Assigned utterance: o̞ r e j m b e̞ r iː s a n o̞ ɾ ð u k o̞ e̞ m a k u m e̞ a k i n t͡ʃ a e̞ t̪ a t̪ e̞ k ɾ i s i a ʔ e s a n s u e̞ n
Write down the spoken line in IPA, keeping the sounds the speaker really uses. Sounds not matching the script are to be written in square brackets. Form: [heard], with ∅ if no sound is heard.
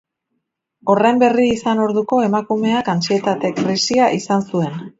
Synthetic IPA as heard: o̞ r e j m b e̞ r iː s a n o̞ ɾ ð u k o̞ e̞ m a k u m e̞ a k [a] n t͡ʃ [i] e̞ t̪ a t̪ e̞ k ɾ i s i a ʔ [i] s a n s u e̞ n